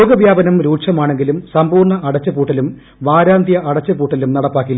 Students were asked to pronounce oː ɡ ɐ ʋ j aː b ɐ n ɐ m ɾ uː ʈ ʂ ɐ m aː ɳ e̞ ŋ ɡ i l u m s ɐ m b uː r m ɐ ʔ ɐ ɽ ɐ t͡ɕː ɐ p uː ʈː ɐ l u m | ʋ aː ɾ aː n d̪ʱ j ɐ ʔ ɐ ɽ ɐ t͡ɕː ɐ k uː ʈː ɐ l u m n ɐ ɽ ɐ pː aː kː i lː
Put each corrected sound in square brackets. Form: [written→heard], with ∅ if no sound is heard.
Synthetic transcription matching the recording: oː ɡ ɐ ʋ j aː b ɐ n ɐ m ɾ uː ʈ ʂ ɐ m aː ɳ e̞ ŋ ɡ i l u m s ɐ m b uː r [m→ɳ] ɐ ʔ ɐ ɽ ɐ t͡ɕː ɐ p uː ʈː ɐ l u m | ʋ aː ɾ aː n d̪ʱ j ɐ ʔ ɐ ɽ ɐ t͡ɕː ɐ [k→p] uː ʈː ɐ l u m n ɐ ɽ ɐ pː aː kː i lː